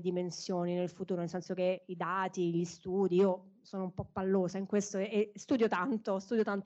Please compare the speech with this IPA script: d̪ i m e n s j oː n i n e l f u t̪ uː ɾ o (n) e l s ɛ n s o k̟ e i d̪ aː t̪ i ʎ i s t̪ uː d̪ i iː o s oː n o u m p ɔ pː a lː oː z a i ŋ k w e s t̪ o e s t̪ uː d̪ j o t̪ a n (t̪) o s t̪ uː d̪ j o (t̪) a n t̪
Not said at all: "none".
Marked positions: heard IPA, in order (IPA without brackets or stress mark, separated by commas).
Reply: n, t̪, t̪